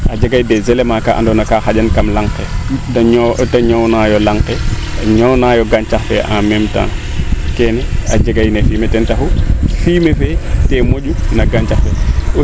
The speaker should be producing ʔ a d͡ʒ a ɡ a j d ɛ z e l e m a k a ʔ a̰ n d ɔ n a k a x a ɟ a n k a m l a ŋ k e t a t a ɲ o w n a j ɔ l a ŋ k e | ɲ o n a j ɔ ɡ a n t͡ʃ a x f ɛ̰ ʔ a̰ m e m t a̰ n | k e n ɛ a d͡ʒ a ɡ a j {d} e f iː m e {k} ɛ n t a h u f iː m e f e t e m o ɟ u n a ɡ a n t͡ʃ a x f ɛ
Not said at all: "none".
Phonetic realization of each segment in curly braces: n, t

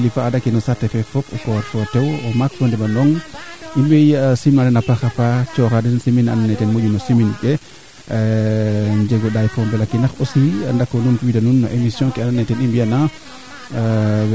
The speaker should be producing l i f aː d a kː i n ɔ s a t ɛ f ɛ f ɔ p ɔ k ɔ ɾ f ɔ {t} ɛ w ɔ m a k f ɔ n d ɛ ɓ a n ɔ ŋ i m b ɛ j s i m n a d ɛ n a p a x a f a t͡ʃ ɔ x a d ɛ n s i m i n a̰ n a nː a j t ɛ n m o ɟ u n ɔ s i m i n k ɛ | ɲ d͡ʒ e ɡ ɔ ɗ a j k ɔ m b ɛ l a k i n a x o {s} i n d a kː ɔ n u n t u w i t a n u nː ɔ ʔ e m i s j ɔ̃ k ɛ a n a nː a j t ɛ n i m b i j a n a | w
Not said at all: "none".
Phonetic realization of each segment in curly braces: t, s

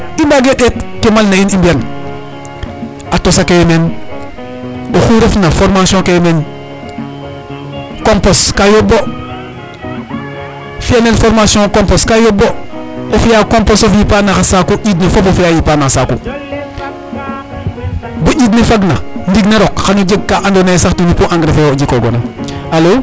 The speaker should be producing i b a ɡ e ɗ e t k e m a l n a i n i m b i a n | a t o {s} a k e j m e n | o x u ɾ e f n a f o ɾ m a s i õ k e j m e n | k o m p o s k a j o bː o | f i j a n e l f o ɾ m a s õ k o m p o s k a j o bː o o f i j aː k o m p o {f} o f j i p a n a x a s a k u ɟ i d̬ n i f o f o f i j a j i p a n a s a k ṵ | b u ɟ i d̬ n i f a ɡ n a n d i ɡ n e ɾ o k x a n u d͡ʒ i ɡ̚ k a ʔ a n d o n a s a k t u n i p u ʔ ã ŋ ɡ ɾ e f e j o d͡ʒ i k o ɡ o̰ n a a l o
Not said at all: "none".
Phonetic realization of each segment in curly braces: s, s

